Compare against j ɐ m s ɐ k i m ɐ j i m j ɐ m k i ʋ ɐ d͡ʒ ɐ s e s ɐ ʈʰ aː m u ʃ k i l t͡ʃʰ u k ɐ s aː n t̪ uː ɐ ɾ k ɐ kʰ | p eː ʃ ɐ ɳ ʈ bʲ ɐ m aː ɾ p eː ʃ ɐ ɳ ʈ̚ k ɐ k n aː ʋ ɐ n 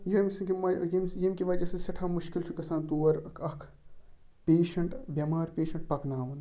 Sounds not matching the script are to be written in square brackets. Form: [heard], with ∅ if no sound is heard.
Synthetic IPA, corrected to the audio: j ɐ m s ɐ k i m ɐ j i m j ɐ m k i ʋ ɐ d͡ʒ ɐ s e s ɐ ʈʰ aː m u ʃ k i l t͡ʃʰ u k ɐ s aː n t̪ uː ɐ ɾ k ɐ kʰ | p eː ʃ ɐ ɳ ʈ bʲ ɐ m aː ɾ p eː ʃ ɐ ɳ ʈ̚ [p] ɐ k n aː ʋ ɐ n